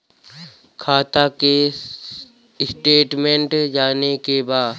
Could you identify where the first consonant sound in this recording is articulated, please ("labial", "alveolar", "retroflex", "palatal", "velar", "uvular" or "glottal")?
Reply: velar